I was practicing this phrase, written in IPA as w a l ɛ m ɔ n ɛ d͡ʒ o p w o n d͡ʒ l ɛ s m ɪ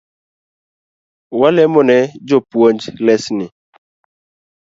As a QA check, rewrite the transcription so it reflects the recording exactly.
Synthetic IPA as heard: w a l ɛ m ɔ n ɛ d͡ʒ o p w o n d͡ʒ l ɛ s n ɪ